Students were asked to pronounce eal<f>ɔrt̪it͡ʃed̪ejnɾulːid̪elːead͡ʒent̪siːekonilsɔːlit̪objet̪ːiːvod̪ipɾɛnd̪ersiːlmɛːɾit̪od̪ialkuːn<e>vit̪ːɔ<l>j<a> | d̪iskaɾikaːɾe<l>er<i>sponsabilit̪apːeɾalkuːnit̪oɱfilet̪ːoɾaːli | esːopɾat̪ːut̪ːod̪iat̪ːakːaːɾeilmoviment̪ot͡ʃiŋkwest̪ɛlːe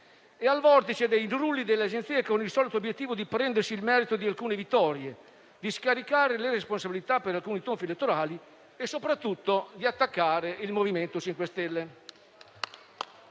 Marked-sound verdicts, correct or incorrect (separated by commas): incorrect, correct, incorrect, incorrect, correct, incorrect